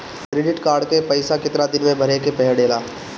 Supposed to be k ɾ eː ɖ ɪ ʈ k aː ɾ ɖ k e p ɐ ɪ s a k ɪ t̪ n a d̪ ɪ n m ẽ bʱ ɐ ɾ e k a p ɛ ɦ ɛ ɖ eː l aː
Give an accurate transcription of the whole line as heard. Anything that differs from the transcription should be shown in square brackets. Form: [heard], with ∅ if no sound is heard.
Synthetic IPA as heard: k ɾ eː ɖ ɪ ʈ k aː ɾ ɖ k e p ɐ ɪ s a k ɪ t̪ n a d̪ ɪ n m ẽ bʱ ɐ ɾ e k [e] p ɛ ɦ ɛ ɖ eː l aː